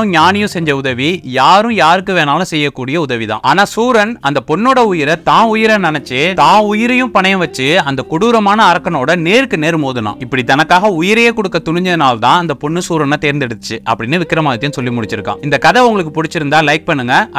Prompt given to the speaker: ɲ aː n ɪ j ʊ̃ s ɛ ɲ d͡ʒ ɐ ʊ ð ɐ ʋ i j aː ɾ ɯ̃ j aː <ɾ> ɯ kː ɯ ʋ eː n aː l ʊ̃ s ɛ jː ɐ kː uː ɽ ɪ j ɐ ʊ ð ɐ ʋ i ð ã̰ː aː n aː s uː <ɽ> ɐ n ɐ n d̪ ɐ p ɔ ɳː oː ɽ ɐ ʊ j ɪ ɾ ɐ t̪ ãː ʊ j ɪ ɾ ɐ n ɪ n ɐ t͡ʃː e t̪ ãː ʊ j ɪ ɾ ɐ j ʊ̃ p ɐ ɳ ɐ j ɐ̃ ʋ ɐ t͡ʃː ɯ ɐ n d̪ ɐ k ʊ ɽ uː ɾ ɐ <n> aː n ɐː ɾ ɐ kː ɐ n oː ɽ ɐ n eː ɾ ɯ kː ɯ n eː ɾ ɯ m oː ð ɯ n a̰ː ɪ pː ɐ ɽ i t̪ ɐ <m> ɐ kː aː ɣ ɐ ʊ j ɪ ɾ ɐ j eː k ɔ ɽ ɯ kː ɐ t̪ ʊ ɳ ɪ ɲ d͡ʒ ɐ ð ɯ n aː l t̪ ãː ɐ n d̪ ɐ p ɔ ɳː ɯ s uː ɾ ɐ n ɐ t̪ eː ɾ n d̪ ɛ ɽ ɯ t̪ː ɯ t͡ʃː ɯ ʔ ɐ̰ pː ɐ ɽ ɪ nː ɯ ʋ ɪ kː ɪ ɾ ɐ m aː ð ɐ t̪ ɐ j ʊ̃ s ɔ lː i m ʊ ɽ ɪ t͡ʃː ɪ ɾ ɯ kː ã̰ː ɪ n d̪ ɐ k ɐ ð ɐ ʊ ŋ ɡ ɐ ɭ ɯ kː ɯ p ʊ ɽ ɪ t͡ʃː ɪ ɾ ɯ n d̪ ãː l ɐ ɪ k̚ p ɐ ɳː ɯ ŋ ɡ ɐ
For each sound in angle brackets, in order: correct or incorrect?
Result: correct, incorrect, incorrect, incorrect

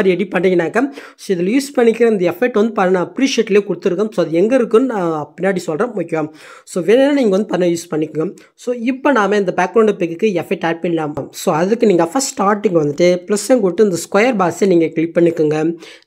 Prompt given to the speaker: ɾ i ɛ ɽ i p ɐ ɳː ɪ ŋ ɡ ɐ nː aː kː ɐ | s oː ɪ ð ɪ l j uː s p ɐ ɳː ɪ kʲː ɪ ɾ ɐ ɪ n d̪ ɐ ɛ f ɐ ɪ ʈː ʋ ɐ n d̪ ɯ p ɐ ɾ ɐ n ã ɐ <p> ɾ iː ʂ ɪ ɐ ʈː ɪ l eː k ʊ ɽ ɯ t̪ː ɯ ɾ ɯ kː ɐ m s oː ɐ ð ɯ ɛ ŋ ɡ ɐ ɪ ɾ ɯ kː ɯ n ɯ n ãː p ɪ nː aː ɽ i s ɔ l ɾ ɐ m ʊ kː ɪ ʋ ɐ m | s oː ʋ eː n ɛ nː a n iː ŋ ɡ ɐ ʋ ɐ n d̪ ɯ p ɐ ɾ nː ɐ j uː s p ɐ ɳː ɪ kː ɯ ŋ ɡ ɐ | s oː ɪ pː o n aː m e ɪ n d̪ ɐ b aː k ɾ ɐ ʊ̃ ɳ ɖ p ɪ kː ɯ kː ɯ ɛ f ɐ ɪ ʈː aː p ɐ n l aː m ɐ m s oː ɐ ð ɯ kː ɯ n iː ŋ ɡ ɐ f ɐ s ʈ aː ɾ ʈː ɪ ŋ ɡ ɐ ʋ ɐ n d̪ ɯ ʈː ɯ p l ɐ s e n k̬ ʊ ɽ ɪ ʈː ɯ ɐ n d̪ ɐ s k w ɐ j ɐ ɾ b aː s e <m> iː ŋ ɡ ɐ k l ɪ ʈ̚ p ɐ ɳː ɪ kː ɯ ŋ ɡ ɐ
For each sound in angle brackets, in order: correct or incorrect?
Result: correct, incorrect

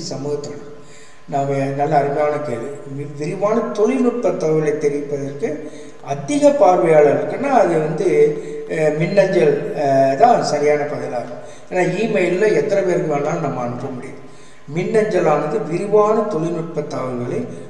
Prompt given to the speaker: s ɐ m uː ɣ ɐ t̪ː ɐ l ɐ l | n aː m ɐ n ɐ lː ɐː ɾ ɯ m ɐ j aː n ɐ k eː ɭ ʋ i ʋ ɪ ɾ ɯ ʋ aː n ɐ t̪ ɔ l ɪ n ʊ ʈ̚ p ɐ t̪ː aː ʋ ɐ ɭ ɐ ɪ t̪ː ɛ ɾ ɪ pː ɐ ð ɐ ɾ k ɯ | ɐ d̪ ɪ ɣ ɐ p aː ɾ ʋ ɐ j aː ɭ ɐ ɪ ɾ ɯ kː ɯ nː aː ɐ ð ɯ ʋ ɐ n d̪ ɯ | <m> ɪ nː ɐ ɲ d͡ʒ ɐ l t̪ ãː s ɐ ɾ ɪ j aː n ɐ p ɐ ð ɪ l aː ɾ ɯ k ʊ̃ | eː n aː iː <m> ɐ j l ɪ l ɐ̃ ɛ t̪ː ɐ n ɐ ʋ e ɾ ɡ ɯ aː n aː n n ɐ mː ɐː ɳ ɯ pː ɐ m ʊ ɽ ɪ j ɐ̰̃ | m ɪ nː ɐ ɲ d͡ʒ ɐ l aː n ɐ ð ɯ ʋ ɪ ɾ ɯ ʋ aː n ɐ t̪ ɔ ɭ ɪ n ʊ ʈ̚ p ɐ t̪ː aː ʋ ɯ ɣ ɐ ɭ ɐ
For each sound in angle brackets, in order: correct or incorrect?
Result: correct, correct

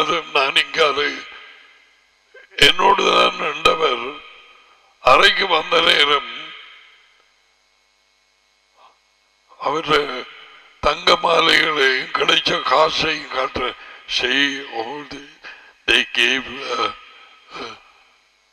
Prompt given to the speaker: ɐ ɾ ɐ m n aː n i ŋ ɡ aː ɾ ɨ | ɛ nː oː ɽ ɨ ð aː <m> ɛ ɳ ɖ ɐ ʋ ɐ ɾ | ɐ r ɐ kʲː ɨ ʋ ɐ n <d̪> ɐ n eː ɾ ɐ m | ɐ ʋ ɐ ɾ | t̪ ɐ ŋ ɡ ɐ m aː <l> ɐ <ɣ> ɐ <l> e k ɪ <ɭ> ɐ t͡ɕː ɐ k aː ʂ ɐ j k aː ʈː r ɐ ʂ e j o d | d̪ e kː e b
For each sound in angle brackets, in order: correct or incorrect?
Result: incorrect, correct, correct, correct, incorrect, incorrect

